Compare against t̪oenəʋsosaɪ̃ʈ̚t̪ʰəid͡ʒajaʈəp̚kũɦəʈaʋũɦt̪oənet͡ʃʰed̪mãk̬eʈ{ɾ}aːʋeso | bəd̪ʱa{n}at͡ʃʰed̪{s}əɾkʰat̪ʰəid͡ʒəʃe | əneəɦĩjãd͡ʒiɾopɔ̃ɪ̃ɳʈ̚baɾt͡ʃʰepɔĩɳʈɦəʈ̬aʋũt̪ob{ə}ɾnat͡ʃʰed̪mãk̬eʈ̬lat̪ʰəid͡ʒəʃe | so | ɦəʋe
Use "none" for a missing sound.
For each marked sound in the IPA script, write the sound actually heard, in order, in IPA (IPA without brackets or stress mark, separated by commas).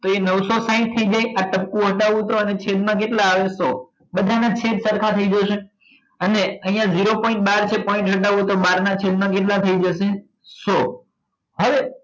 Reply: l, n, s, a